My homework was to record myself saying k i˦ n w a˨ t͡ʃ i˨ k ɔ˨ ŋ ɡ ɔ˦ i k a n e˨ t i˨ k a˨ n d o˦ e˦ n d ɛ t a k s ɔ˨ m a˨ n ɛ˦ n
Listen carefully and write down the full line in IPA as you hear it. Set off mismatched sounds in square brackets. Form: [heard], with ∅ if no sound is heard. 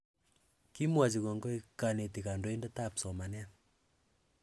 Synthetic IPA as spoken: k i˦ [m] w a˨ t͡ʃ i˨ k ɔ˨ ŋ ɡ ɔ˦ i k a n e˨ t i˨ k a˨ n d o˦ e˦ n d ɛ t a [p] s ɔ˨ m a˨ n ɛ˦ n